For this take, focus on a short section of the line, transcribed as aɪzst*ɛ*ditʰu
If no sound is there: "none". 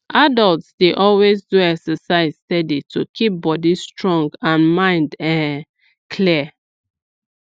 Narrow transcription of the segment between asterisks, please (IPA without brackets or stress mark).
ɛ